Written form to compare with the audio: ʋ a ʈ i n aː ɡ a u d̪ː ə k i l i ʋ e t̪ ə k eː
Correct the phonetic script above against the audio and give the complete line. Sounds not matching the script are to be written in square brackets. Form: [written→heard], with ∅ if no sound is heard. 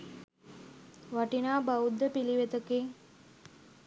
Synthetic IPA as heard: ʋ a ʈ i n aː [ɡ→b] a u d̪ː ə [k→p] i l i ʋ e t̪ ə k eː